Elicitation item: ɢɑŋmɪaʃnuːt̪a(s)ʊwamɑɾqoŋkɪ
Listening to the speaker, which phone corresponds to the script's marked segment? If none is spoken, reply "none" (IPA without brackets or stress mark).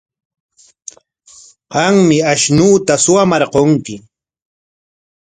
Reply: s